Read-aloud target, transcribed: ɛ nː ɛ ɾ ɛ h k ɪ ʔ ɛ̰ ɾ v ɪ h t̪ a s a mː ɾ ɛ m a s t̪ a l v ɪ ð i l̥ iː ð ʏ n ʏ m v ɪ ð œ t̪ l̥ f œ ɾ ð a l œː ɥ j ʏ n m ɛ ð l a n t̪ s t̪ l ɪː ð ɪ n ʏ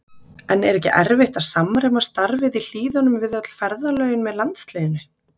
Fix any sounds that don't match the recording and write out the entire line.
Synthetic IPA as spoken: ɛ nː ɛ ɾ ɛ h c ɪ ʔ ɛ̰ ɾ v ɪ h t̪ a s a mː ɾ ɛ m a s t̪ a ɾ v ɪ ð i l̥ iː ð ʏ n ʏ m v ɪ ð œ t̪ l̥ f ɛ ɾ ð a l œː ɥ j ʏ n m ɛ ð l a n t̪ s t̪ l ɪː ð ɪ n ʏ

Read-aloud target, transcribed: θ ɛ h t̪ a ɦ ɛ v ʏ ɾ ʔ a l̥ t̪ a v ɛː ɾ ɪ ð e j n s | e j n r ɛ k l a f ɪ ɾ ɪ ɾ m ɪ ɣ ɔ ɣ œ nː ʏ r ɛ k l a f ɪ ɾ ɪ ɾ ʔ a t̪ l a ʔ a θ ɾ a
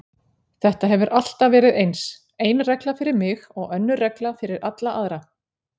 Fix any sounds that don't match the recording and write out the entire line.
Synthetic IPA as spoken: θ ɛ h t̪ a ɦ ɛ v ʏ ɾ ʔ a l̥ t̪ a v ɛː ɾ ɪ ð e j n s | e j n r ɛ k l a f ɪ ɾ ɪ ɾ m ɪ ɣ ɔ ɣ œ nː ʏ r ɛ k l a f ɪ ɾ ɪ ɾ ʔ a t̪ l a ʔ a ð ɾ a

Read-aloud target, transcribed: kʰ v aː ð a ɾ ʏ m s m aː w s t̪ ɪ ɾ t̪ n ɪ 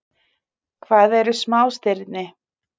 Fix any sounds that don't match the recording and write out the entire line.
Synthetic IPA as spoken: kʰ v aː ð ɛ ɾ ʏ s m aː w s t̪ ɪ ɾ t̪ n ɪ

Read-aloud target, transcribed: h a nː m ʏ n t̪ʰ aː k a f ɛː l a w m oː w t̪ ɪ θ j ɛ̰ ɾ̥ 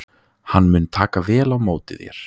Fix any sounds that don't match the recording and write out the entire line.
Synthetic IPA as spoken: h a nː m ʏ n t̪ʰ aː k a v ɛː l a w m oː w t̪ ɪ ð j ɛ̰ ɾ̥

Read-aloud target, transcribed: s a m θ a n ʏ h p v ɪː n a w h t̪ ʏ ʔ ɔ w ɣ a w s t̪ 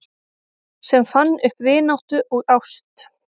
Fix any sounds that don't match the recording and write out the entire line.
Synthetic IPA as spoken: s ɛ m f a nː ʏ h p v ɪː n a w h t̪ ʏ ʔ ɔ ɣ a w s t̪

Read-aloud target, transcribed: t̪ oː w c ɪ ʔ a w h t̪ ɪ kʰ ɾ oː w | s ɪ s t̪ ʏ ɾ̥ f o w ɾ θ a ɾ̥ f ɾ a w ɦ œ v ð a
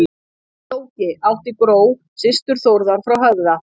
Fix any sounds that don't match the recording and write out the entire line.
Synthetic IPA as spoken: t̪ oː w c ɪ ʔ a w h t̪ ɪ k ɾ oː w | s ɪ s t̪ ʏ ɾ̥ θ o w ɾ ð a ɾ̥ f ɾ a w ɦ œ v ð a

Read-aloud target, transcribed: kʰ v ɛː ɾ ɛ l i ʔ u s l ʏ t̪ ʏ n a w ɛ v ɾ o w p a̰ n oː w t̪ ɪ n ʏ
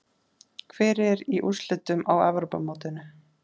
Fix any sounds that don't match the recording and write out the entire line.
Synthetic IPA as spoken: kʰ v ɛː ɾ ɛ ɾ i ʔ u s l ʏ t̪ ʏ m a w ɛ v ɾ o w p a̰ m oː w t̪ ɪ n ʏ

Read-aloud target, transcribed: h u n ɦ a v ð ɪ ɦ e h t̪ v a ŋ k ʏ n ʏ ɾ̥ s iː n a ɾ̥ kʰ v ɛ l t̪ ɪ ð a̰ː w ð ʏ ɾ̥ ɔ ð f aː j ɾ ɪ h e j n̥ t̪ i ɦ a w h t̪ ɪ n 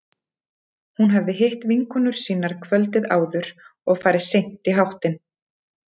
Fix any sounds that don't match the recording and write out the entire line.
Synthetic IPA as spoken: h u n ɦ a v ð ɪ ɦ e h t̪ v i ŋ k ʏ n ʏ ɾ̥ s iː n a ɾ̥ kʰ v œ l t̪ ɪ ð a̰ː w ð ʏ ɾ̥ ɔ ɣ f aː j ɾ ɪ s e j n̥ t̪ i ɦ a w h t̪ ɪ n

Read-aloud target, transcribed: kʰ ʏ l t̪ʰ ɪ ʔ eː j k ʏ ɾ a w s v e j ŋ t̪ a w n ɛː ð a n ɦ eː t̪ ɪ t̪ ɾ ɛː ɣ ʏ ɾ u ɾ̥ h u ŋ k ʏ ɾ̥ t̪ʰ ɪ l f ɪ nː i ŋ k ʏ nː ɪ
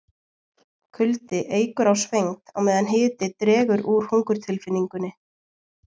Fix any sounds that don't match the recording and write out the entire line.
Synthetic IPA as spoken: kʰ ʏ l t̪ ɪ ʔ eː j k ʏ ɾ a w s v e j ŋ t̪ a w m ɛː ð a n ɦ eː t̪ ɪ t̪ ɾ ɛː ɣ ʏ ɾ u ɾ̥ h u ŋ k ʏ ɾ̥ t̪ʰ ɪ l f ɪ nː i ŋ k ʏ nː ɪ

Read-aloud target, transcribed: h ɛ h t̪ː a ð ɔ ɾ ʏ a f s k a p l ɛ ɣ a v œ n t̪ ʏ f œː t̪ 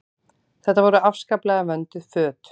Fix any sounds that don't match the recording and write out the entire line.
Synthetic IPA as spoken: θ ɛ h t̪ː a v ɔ ɾ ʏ a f s k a p l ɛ ɣ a v œ n t̪ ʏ f œː t̪

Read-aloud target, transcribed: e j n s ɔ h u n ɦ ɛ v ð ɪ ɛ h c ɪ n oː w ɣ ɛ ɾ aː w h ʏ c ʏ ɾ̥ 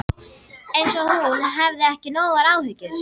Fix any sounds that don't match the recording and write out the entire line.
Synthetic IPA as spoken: e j n s ɔ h u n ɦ ɛ v ð ɪ ɛ h c ɪ n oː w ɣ a ɾ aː w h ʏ c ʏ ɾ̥

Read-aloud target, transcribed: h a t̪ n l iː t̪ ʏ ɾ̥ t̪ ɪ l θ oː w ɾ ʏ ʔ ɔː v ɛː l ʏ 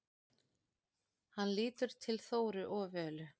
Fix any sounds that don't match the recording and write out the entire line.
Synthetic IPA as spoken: h a n l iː t̪ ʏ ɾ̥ t̪ʰ ɪ l θ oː w ɾ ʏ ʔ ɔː v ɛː l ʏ

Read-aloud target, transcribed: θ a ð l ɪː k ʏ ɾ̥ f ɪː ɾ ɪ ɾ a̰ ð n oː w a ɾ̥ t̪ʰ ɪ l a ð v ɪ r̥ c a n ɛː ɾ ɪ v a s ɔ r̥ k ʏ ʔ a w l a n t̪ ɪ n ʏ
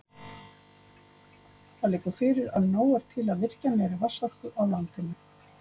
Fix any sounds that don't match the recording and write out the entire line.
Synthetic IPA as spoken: θ a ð l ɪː k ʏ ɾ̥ f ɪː ɾ ɪ ɾ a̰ ð n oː w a ɾ̥ t̪ʰ ɪ l a ð v ɪ r̥ c a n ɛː ɾ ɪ v a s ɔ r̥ k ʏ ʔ a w l a n t̪ ɪ n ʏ

